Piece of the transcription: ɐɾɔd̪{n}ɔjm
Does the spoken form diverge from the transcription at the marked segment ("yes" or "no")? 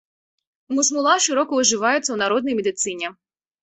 no